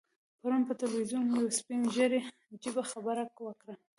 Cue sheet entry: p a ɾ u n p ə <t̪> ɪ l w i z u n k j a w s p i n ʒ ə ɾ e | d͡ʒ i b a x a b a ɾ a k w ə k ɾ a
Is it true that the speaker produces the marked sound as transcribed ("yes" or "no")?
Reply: yes